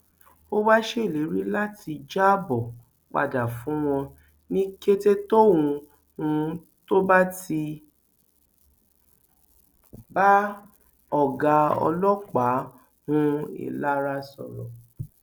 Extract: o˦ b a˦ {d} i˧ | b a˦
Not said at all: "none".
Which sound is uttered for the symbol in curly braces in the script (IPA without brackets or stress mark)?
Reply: t